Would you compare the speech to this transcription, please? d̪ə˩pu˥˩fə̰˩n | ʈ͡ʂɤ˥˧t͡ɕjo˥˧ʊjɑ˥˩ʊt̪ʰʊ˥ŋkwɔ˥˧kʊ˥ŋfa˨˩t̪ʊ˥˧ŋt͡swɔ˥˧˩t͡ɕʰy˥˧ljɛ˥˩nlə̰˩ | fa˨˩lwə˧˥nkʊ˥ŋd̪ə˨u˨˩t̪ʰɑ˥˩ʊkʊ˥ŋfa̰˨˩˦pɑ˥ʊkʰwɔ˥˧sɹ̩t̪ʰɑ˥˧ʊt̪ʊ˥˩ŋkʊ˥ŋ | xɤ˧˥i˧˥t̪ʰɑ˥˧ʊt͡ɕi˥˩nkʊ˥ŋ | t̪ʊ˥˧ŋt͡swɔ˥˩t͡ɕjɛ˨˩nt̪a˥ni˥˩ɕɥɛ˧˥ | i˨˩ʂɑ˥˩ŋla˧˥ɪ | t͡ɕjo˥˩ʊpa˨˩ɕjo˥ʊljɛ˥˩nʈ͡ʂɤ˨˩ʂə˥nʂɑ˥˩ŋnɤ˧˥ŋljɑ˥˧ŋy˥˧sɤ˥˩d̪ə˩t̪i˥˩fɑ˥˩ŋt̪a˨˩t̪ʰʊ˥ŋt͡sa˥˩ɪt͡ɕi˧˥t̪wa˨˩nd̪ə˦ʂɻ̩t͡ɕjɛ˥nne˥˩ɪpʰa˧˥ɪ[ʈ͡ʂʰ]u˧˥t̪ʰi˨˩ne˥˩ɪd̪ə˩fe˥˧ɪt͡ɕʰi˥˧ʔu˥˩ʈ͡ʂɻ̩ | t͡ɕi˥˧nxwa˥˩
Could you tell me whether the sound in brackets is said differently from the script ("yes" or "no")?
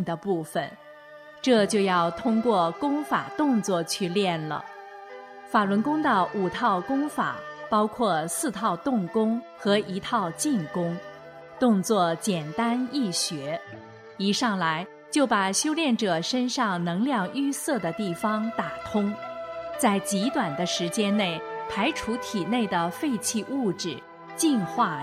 no